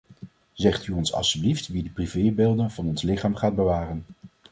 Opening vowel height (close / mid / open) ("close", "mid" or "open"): mid